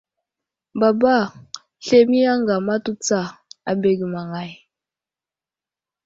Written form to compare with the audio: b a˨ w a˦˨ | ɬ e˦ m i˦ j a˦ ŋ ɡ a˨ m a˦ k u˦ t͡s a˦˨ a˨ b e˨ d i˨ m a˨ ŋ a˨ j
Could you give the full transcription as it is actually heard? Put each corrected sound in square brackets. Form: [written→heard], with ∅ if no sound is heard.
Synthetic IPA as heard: b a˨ [w→b] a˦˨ | ɬ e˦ m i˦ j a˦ ŋ ɡ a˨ m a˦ [k→t] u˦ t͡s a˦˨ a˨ b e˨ [d→ɡ] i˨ m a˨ ŋ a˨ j